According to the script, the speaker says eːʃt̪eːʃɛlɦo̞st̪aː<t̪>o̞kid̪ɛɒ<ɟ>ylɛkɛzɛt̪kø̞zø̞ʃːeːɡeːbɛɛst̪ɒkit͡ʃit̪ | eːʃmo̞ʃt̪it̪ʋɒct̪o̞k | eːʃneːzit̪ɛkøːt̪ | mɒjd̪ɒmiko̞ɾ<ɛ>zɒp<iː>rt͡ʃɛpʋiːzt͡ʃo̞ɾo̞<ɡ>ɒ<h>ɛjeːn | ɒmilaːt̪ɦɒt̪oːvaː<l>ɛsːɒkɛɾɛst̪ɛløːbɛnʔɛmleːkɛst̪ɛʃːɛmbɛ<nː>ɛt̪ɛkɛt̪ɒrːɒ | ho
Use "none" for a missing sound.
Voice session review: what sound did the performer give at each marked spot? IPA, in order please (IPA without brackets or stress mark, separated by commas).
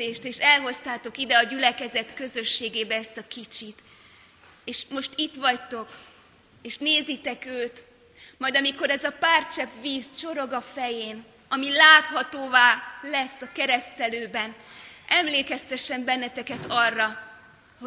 t̪, ɟ, ɛ, aː, ɡ, f, l, nː